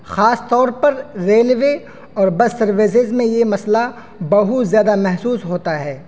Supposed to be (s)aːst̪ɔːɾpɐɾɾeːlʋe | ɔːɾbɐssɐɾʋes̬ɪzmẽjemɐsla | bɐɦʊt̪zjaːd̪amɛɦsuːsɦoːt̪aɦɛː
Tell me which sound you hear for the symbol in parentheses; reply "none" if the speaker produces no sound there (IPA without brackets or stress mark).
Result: x